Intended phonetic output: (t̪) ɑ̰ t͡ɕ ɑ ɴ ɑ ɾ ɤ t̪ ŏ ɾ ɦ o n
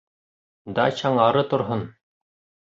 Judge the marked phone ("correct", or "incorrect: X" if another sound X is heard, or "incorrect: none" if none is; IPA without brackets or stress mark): incorrect: d̪